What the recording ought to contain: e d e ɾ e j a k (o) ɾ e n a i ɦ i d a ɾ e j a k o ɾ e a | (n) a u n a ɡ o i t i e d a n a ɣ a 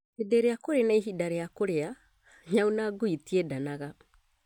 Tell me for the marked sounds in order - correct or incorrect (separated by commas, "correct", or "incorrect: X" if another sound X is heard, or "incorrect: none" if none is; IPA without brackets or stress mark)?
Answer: correct, incorrect: ɲ